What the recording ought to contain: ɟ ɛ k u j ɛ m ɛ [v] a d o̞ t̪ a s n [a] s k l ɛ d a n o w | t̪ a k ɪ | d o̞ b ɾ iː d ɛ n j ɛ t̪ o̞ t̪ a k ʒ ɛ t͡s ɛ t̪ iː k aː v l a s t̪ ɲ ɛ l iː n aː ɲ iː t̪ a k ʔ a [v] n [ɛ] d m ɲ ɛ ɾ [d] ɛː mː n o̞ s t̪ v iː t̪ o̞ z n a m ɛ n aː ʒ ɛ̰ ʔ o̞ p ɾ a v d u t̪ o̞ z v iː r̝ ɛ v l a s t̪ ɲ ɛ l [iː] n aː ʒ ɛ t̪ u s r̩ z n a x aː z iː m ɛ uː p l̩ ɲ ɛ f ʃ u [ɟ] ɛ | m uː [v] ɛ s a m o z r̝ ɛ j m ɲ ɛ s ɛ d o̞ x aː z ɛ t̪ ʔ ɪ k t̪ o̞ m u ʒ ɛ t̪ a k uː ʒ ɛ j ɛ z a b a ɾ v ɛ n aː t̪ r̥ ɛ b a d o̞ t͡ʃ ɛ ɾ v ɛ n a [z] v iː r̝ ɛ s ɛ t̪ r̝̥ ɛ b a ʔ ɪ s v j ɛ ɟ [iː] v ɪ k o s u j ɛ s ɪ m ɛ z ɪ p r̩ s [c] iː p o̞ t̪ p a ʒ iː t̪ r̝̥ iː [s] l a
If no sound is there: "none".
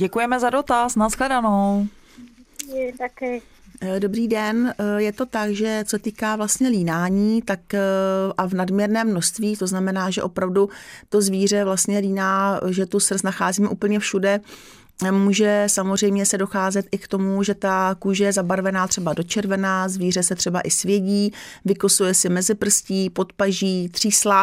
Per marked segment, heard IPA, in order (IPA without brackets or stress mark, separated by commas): z, a, v, a, n, iː, d, ʒ, z, iː, c, s